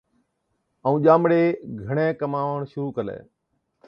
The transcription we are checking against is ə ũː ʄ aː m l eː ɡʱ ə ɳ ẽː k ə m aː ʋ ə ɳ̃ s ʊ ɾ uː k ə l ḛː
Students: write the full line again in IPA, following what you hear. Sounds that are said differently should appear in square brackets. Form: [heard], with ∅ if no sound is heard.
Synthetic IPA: ə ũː ʄ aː m [ɽ] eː ɡʱ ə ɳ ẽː k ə m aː ʋ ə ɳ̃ [ʃ] ʊ ɾ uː k ə l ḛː